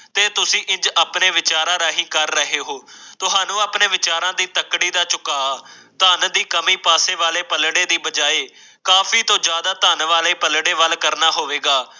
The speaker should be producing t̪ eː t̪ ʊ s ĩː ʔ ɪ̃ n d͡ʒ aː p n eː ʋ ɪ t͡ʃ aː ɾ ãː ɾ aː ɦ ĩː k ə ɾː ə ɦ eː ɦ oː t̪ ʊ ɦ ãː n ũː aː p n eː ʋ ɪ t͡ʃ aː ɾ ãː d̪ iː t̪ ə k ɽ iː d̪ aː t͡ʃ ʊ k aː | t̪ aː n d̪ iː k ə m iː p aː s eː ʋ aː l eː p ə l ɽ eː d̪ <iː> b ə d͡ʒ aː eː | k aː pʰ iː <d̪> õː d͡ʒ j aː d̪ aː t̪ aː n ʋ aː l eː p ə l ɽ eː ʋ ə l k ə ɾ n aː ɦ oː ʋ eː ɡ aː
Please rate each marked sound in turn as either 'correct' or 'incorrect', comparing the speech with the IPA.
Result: correct, incorrect

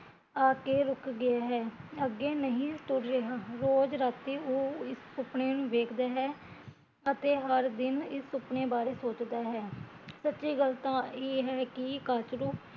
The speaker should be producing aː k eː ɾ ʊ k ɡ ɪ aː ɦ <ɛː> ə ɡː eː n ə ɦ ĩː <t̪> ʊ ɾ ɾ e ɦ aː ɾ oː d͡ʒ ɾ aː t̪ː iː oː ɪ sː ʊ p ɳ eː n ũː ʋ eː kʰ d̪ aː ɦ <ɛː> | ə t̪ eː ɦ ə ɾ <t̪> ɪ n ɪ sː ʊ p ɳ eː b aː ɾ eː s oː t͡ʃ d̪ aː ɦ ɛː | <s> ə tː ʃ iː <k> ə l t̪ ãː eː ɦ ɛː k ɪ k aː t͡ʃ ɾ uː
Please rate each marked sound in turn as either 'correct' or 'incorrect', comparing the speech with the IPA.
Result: correct, correct, correct, incorrect, correct, incorrect

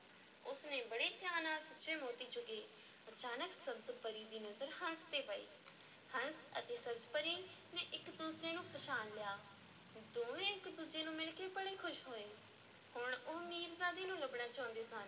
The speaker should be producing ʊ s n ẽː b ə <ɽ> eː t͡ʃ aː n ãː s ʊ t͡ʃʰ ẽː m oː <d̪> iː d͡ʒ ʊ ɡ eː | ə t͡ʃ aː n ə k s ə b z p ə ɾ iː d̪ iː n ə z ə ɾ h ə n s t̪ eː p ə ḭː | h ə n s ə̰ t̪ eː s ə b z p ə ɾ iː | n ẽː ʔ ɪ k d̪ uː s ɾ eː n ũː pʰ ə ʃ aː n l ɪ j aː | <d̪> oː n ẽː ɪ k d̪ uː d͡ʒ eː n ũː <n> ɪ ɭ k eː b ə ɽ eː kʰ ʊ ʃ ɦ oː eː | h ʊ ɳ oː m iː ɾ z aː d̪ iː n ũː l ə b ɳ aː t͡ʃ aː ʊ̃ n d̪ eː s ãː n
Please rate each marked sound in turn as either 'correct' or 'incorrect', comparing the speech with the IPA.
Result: correct, incorrect, correct, incorrect

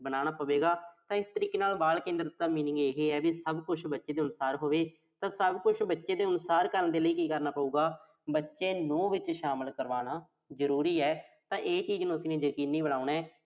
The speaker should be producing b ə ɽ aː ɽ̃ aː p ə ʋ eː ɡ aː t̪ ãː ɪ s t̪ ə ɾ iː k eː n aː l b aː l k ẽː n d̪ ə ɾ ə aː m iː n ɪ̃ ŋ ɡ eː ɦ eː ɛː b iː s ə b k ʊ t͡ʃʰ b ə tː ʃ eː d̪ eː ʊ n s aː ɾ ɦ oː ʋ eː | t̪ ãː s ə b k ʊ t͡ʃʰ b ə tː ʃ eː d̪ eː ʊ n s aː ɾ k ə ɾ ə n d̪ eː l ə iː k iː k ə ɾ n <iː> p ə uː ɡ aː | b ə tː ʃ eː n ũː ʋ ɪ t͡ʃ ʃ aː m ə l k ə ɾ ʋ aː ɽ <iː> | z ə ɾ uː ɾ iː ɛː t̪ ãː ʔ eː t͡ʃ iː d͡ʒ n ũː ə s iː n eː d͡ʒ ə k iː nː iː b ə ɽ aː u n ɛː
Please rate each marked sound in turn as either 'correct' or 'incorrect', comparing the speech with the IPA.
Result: incorrect, incorrect

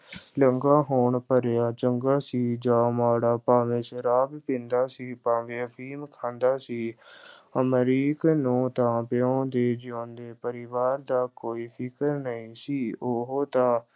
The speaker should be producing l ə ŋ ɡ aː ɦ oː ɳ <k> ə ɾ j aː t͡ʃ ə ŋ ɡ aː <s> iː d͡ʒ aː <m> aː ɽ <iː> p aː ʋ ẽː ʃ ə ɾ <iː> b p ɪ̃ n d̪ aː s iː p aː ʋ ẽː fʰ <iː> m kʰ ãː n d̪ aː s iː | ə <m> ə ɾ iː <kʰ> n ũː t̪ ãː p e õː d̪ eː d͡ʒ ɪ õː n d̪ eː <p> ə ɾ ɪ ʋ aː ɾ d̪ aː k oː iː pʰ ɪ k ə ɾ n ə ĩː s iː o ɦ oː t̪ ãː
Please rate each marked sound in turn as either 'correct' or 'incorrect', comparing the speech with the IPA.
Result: incorrect, correct, correct, incorrect, incorrect, correct, correct, incorrect, correct

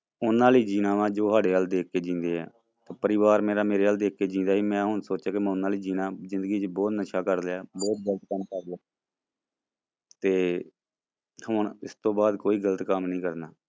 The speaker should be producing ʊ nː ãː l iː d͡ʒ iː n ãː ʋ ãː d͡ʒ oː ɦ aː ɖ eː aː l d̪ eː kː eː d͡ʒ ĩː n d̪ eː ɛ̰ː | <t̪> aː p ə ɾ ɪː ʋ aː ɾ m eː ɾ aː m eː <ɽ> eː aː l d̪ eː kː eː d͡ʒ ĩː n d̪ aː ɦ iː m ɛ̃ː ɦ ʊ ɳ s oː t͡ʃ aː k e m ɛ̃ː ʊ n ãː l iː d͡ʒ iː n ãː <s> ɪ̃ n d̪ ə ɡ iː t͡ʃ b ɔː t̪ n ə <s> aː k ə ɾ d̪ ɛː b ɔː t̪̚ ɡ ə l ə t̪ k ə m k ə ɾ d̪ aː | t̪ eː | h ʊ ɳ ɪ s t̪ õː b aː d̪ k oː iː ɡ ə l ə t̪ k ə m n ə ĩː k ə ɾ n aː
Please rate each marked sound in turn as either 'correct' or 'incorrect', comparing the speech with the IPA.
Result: correct, incorrect, incorrect, incorrect

